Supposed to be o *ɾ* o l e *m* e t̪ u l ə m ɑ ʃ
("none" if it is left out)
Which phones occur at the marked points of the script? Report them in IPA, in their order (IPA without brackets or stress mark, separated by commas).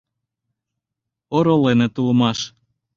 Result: ɾ, n